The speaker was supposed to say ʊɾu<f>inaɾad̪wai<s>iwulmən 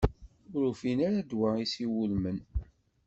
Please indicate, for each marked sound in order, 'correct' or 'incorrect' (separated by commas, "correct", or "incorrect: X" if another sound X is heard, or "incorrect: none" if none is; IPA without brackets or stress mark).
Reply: correct, correct